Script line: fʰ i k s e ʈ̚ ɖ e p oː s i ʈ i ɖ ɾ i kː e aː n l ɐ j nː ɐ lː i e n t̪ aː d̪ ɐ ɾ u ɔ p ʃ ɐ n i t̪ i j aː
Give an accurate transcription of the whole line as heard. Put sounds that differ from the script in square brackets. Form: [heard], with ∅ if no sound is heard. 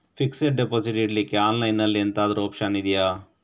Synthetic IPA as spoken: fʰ i k s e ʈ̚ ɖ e p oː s i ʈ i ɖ [l] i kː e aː n l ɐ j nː ɐ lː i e n t̪ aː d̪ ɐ ɾ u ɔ p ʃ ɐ n i [d̪] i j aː